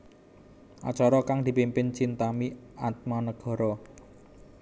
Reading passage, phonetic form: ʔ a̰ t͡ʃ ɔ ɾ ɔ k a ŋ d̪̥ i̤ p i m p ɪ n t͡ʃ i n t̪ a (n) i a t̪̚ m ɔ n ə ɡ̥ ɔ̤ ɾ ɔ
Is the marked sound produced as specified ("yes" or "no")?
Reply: no